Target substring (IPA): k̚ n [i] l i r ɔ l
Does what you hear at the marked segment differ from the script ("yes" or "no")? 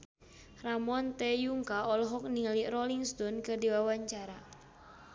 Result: no